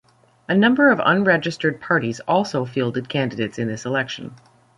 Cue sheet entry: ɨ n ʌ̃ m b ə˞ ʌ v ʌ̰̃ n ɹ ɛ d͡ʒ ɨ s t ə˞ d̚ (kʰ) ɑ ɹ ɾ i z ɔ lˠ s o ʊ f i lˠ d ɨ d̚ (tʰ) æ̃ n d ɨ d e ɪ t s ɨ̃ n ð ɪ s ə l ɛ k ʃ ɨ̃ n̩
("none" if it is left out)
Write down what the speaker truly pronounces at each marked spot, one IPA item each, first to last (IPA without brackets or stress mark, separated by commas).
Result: pʰ, kʰ